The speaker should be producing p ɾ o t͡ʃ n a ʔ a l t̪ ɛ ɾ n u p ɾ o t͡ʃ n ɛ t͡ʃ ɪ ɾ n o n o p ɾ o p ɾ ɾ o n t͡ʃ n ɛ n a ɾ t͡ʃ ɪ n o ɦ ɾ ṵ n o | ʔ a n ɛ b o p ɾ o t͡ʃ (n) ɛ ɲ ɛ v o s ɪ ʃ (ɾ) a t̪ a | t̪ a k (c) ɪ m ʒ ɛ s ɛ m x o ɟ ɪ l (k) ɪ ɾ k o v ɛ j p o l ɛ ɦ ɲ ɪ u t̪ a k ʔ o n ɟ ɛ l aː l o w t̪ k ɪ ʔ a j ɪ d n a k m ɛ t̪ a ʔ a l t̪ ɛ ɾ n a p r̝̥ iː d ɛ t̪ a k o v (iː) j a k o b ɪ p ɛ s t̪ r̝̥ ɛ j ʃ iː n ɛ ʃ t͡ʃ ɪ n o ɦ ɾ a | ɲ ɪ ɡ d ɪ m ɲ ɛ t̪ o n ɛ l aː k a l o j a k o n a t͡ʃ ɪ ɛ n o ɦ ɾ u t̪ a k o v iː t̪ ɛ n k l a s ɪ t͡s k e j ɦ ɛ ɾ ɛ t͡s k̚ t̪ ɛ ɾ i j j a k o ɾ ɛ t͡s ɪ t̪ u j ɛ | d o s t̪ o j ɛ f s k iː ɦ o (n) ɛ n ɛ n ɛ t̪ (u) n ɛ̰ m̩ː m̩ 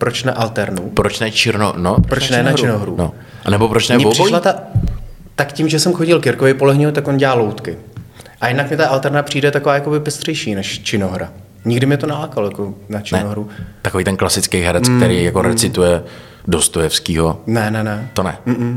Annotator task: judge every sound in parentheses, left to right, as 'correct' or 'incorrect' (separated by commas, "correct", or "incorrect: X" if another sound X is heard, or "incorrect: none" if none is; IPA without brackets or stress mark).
correct, incorrect: l, correct, correct, incorrect: aː, correct, incorrect: o